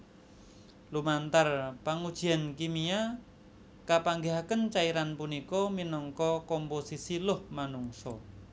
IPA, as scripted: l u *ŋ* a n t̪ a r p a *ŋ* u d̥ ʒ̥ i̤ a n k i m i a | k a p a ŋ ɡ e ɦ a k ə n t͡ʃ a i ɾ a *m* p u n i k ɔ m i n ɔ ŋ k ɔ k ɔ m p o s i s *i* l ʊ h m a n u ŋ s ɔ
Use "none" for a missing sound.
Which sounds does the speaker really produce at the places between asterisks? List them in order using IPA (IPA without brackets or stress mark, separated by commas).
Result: m, ŋ, n, i